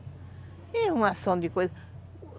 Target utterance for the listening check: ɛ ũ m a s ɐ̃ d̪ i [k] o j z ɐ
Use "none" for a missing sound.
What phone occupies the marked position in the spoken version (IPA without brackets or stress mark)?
k